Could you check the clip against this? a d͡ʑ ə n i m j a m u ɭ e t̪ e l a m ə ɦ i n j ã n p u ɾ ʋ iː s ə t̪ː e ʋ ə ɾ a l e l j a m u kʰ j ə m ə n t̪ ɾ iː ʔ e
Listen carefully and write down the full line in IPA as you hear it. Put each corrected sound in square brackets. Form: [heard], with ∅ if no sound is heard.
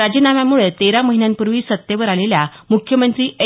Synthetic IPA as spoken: a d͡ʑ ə n [a] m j a m u ɭ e t̪ e [ɾ] a m ə ɦ i n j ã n p u ɾ ʋ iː s ə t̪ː e ʋ ə ɾ a l e l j a m u kʰ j ə m ə n t̪ ɾ iː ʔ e